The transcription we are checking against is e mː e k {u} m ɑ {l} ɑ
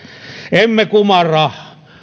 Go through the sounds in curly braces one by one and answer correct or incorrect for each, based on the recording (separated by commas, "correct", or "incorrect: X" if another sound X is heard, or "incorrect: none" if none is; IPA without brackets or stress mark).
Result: correct, incorrect: r